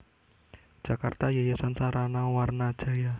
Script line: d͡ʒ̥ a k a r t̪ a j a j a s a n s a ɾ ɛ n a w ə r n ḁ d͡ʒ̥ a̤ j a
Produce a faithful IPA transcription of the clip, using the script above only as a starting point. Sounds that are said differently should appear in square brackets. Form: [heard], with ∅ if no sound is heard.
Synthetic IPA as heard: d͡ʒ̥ a k a r t̪ a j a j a s a n s a ɾ [a] n a w [a] r n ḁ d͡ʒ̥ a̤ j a